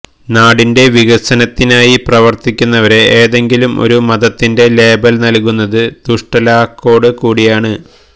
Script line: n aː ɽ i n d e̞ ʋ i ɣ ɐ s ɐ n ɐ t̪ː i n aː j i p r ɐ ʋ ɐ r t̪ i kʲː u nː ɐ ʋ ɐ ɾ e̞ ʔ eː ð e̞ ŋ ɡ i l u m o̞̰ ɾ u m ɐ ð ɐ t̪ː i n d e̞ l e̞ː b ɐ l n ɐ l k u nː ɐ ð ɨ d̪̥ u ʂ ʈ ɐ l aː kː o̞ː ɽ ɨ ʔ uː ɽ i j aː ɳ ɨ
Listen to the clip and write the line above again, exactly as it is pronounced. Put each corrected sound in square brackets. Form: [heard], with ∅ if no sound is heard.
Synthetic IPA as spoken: n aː ɽ i n d e̞ ʋ i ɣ ɐ s ɐ n ɐ t̪ː i n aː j i p r ɐ ʋ ɐ r t̪ i kʲː u nː ɐ ʋ ɐ ɾ e̞ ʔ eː ð e̞ ŋ ɡ i l u m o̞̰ ɾ u m ɐ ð ɐ t̪ː i n d e̞ l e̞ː b ɐ l n ɐ l k u nː ɐ ð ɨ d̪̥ u ʂ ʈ ɐ l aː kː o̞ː ɽ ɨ [k] uː ɽ i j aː ɳ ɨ